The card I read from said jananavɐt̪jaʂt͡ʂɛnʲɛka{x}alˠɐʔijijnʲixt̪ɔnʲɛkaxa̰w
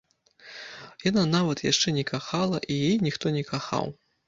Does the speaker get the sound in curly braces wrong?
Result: no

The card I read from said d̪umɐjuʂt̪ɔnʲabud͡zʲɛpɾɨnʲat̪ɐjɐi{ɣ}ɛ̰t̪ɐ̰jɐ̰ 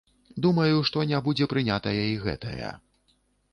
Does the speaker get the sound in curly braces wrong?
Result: no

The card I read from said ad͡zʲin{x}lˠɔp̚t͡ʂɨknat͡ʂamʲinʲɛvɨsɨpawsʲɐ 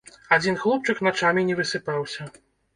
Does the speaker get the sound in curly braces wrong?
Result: no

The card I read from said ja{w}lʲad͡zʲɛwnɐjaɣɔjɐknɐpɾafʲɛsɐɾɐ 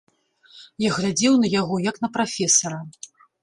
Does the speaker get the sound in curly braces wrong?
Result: yes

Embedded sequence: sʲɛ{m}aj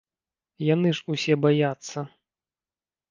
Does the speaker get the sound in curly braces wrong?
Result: yes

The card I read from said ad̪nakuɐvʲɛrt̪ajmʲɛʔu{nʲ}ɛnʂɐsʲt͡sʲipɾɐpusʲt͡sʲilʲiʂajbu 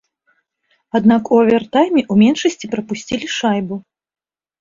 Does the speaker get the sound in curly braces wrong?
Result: yes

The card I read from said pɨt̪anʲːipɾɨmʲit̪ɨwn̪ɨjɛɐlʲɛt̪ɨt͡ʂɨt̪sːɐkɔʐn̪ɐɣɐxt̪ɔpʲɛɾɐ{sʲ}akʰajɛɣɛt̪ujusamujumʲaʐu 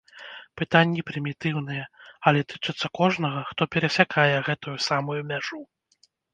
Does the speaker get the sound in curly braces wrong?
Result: no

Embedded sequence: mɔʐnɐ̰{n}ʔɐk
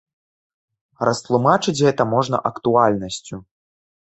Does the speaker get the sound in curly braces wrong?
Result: yes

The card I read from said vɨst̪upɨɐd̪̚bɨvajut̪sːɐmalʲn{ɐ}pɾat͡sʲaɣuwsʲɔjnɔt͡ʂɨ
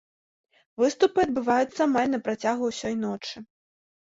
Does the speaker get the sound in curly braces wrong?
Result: no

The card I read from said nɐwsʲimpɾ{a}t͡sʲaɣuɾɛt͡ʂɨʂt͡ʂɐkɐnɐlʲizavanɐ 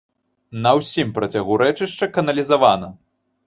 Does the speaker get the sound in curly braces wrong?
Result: yes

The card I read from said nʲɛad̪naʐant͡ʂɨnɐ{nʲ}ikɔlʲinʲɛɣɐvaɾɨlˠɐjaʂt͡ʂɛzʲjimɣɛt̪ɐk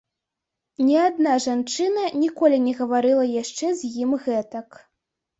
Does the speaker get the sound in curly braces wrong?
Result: no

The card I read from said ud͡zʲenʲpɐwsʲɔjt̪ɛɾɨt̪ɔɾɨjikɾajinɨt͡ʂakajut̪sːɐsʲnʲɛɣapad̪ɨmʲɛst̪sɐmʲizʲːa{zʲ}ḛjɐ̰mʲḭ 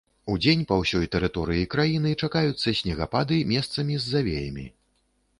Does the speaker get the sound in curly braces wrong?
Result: yes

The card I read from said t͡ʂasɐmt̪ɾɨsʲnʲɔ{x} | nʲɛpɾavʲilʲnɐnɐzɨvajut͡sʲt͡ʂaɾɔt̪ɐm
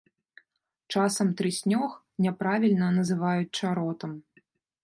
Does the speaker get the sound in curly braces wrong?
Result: no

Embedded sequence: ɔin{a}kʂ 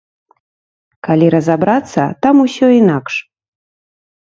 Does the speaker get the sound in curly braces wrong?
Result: no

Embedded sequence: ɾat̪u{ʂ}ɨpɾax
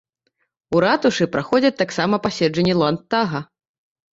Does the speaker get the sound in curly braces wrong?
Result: no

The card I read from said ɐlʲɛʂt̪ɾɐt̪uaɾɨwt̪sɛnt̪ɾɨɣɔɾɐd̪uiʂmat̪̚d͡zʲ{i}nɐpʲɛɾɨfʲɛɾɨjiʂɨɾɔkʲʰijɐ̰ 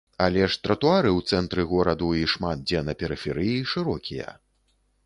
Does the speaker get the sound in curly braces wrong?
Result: yes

